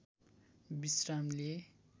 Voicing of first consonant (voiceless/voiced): voiced